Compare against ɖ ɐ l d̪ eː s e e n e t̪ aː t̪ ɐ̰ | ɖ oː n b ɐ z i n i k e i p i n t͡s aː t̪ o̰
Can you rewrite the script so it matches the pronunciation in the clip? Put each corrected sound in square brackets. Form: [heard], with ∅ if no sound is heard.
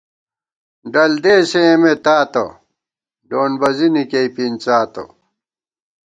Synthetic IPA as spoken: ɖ ɐ l d̪ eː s e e [m] e t̪ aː t̪ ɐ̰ | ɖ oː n b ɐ z i n i k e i p i n t͡s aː t̪ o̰